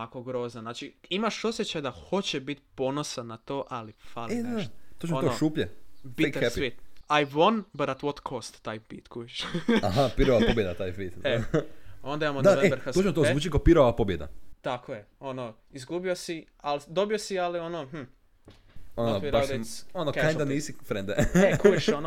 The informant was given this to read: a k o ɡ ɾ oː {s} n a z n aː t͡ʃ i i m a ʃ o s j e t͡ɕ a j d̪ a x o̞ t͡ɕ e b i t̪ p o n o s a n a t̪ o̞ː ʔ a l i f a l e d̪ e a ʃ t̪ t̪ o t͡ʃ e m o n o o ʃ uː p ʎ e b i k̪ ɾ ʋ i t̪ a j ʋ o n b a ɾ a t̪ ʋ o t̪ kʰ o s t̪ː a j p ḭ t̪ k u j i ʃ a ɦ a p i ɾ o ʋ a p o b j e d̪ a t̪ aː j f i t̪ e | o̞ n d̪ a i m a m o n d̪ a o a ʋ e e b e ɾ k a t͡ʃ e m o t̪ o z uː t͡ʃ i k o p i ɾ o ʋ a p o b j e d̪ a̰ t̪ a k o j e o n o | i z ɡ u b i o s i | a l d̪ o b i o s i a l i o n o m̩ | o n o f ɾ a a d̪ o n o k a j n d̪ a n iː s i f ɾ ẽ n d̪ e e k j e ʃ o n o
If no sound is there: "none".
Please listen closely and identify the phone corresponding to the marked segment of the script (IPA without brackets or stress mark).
z